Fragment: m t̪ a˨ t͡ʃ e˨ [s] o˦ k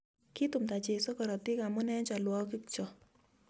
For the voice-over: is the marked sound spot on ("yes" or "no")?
yes